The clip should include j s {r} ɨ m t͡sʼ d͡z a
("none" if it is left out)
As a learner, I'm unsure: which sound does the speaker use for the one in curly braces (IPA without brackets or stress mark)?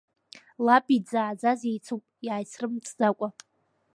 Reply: r